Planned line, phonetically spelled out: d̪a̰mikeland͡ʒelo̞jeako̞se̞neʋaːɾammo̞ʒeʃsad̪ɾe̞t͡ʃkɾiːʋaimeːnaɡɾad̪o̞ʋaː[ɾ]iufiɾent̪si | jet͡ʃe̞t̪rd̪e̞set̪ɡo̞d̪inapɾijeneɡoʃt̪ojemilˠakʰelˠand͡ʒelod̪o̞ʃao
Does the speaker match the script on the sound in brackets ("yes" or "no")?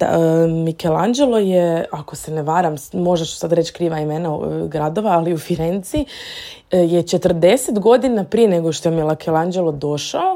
no